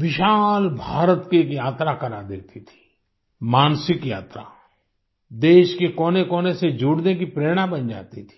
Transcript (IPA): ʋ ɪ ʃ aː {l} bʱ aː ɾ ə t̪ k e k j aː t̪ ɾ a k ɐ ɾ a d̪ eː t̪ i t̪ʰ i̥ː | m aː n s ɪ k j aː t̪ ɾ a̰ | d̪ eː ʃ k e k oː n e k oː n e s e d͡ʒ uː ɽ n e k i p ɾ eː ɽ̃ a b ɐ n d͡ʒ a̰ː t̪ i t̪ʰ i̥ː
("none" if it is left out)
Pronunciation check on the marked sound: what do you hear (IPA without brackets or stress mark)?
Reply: l